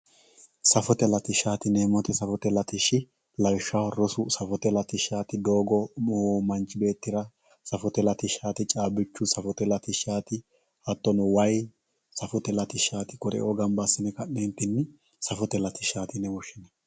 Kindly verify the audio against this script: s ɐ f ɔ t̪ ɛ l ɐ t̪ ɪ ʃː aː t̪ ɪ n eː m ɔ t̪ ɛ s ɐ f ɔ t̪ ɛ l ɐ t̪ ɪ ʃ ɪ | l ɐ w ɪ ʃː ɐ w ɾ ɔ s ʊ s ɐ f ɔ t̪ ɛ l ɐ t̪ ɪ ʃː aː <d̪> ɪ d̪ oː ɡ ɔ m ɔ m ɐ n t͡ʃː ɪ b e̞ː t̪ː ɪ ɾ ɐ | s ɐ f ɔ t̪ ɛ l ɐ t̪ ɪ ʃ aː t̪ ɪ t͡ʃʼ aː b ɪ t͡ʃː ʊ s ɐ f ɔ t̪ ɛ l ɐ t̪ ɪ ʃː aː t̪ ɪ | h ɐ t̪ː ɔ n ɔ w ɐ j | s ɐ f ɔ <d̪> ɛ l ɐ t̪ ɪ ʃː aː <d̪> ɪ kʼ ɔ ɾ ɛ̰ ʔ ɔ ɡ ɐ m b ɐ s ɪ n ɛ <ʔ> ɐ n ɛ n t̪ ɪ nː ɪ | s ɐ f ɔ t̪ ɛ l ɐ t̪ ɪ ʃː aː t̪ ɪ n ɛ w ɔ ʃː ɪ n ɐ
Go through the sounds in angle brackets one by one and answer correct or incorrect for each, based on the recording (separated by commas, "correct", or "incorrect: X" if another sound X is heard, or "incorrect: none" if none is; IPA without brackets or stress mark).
incorrect: t̪, incorrect: t̪, incorrect: t̪, incorrect: k